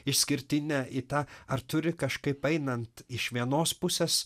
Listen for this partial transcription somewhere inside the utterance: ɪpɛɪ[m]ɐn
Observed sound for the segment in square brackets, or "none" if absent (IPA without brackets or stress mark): n